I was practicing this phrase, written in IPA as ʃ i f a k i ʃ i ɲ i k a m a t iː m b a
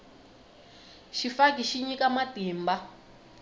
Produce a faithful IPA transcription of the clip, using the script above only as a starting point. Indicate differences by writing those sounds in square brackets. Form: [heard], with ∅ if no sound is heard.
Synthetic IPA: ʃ i f a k i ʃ i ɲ i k a m a t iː m b a

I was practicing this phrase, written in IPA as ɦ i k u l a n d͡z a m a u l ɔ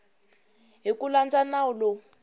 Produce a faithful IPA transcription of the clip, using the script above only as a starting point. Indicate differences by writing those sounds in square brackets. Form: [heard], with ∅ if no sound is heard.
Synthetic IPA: ɦ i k u l a n d͡z a [n] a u l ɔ

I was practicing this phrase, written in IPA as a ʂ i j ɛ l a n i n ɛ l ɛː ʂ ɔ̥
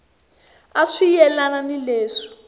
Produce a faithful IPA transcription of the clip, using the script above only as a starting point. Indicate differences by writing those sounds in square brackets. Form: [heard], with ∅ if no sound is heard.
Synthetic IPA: a ʂ i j ɛ l a n [a] n [i] l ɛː ʂ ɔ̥

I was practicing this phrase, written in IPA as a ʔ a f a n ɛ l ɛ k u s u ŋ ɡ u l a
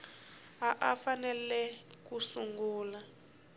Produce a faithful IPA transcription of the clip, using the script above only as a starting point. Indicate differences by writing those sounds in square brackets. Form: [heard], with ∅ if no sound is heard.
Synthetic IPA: a ʔ a f a n ɛ l ɛ k u s u ŋ ɡ [uː] l a

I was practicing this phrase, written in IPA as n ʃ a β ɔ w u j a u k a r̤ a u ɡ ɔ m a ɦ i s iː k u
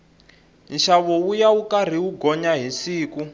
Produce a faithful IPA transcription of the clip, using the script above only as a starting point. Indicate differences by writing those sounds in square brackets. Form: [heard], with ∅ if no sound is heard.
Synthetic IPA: n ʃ a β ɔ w u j a u k a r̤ [i] u ɡ ɔ [ɲ] a ɦ i s iː k u

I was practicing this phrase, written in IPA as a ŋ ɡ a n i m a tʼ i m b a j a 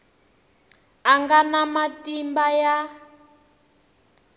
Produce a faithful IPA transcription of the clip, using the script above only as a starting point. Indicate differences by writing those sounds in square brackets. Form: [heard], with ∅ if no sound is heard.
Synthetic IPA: a ŋ ɡ a n [a] m a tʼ i m b a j a

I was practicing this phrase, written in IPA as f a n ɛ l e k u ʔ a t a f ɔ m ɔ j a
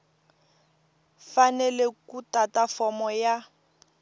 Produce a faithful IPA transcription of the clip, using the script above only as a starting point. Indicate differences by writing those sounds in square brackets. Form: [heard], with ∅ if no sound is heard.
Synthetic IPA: f a n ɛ l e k u [t] a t a f ɔ m ɔ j a

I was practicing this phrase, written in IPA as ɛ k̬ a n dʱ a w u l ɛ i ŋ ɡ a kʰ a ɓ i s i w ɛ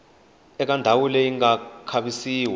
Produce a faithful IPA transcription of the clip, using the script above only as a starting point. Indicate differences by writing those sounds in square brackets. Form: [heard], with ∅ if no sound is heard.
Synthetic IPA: ɛ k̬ a n dʱ a w u l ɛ i ŋ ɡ a kʰ a ɓ i s [iː] w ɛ

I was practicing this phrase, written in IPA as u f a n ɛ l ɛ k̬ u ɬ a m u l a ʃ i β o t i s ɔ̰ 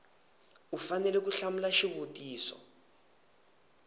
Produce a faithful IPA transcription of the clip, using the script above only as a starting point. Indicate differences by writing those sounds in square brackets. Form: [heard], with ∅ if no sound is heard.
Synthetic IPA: u f a n ɛ l ɛ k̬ u ɬ a m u l a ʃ i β o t [iː] s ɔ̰

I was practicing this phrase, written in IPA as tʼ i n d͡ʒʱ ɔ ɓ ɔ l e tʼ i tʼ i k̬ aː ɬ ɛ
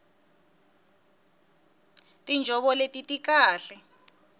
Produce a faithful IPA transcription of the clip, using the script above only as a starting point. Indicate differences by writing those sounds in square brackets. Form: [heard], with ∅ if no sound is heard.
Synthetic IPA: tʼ i n d͡ʒʱ ɔ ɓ ɔ l e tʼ i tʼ i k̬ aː ɬ ɛ

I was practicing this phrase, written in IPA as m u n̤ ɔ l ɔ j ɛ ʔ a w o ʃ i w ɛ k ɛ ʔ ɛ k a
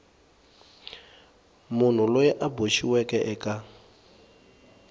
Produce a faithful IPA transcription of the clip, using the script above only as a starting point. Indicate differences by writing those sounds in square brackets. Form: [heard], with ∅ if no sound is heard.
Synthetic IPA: m u n̤ [u] l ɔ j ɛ ʔ a [b] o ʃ i w ɛ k ɛ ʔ ɛ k a

